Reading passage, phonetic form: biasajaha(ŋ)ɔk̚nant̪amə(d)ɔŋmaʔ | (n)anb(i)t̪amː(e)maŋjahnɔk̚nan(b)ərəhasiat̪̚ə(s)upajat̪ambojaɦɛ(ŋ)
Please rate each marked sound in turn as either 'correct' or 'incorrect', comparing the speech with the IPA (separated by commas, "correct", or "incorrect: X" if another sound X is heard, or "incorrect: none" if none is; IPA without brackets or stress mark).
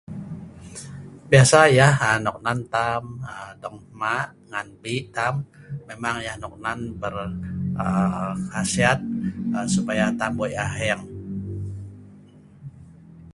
incorrect: n, correct, incorrect: ŋ, correct, correct, correct, correct, correct